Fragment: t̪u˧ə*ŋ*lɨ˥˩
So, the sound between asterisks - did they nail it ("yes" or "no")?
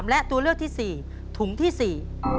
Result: no